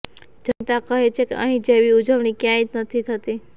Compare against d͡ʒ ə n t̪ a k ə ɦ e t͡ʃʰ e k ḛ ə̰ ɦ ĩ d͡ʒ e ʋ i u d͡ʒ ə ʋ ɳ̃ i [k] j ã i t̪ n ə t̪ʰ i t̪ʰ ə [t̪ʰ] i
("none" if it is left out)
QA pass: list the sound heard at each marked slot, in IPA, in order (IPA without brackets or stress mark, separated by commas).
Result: k, t̪